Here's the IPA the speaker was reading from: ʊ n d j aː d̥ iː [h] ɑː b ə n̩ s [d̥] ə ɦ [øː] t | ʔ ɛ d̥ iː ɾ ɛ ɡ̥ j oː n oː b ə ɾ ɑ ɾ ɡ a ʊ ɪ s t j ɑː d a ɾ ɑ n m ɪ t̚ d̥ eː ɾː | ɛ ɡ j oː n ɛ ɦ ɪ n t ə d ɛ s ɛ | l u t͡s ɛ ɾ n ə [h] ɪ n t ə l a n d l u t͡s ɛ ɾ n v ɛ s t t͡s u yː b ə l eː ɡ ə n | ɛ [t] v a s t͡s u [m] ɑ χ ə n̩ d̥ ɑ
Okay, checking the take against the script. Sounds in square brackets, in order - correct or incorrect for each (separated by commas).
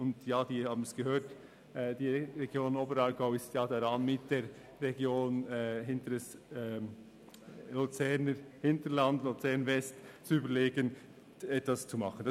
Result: correct, incorrect, correct, correct, correct, correct